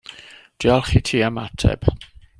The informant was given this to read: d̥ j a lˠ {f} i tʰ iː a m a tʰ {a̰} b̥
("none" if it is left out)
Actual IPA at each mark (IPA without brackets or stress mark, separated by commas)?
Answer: χ, ɛ̰